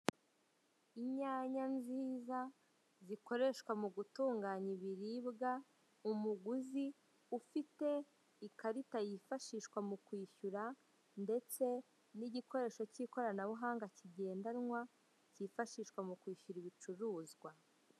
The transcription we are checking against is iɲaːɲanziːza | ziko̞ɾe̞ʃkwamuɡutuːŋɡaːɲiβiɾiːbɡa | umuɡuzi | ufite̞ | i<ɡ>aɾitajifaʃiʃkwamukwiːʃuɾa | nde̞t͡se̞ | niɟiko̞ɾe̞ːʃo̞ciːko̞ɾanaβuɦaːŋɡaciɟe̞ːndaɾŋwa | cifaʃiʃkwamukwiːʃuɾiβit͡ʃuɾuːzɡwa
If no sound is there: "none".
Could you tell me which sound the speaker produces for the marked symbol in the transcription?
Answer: k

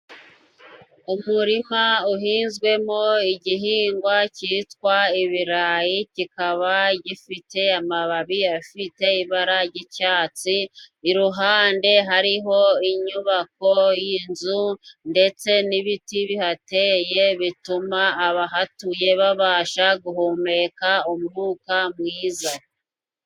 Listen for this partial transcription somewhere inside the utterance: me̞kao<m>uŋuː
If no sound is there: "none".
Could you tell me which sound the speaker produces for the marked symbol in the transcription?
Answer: m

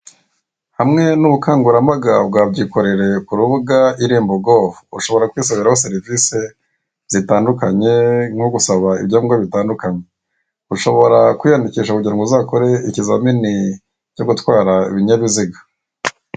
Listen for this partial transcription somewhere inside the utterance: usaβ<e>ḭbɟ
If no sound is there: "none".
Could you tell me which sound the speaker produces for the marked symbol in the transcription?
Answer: a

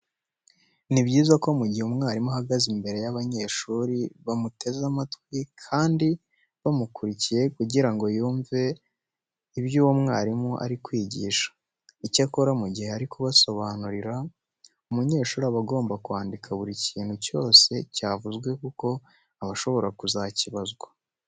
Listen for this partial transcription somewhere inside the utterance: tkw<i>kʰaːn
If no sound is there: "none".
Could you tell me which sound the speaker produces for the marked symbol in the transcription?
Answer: i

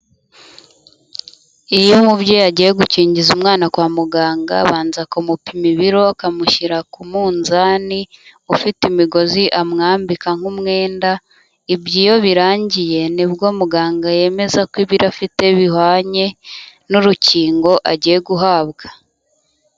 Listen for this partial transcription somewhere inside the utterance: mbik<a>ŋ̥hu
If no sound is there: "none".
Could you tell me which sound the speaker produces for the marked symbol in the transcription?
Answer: a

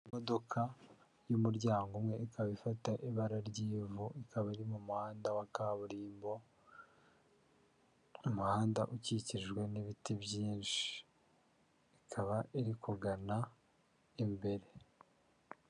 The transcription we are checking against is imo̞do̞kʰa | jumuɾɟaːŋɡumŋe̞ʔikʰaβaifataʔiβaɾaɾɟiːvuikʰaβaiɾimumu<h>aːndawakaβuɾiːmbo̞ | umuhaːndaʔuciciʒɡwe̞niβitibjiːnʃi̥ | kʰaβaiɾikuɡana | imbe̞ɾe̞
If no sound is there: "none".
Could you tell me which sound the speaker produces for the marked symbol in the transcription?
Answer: h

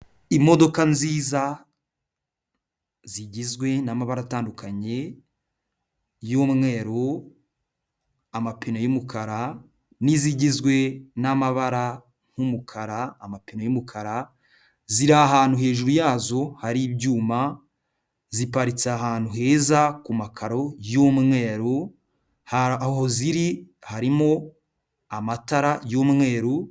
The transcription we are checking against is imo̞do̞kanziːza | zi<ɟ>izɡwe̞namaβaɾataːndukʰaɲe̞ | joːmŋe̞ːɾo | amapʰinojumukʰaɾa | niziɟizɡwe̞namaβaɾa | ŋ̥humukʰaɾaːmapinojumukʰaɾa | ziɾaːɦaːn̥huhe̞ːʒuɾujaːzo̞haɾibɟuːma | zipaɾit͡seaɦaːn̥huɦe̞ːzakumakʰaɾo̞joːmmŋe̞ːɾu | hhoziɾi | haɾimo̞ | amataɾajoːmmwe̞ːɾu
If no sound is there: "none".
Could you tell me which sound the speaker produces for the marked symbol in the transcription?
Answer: ɟ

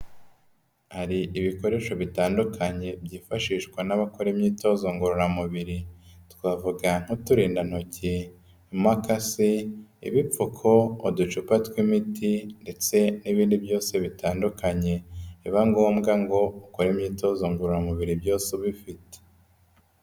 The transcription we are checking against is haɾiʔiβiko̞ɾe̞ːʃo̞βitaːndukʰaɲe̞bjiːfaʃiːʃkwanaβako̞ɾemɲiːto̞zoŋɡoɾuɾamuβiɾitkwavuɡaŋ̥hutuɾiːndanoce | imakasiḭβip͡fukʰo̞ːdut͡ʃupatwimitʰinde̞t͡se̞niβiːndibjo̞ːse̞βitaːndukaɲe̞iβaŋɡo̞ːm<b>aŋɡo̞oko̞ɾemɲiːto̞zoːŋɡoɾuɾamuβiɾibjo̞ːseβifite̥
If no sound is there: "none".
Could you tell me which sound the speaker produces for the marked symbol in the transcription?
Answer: ɡ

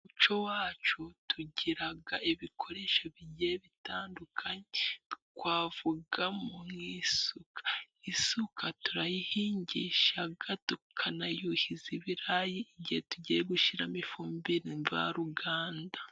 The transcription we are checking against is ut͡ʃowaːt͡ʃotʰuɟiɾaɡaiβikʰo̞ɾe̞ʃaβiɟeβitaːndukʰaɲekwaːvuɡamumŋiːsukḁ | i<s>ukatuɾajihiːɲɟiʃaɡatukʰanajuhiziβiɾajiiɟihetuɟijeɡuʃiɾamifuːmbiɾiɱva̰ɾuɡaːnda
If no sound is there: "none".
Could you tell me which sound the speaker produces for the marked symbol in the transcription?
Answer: s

